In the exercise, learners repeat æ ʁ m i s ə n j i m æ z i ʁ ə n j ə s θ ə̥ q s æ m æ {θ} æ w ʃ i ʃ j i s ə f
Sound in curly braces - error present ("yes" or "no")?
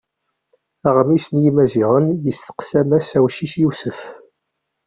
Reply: yes